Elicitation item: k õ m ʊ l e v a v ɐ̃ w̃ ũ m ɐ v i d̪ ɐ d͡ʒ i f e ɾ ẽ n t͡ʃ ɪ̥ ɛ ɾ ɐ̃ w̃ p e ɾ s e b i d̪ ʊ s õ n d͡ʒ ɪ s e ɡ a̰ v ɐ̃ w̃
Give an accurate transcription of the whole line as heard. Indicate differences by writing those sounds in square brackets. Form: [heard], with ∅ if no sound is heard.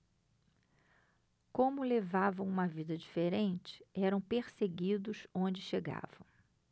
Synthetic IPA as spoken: k õ m ʊ l e v a v ɐ̃ w̃ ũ m ɐ v i d̪ ɐ d͡ʒ i f e ɾ ẽ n t͡ʃ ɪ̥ ɛ ɾ ɐ̃ w̃ p e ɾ s e [ɡ] i d̪ ʊ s õ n d͡ʒ ɪ [ʃ] e ɡ a̰ v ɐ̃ w̃